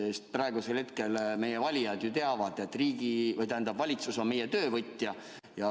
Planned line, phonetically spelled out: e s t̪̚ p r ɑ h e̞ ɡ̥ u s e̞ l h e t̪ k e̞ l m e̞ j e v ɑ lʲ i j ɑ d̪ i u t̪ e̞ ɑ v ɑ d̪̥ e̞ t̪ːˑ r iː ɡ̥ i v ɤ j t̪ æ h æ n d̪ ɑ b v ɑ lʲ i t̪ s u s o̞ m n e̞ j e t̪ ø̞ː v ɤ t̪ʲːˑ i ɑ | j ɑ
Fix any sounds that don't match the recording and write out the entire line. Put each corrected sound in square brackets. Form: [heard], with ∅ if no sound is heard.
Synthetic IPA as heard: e s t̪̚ p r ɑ [∅] e̞ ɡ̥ u s e̞ l h e t̪ k e̞ l m e̞ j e v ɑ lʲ i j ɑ d̪ [j] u t̪ e̞ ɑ v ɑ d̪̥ e̞ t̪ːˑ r iː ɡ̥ i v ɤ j t̪ æ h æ n d̪ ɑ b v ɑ lʲ i t̪ s u s o̞ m [m] e̞ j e t̪ ø̞ː v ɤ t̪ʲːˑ [j] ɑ | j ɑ